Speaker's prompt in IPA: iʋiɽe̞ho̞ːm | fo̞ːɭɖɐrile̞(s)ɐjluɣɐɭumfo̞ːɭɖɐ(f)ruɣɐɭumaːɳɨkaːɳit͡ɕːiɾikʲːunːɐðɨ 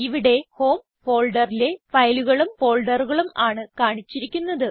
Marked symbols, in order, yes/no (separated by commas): no, no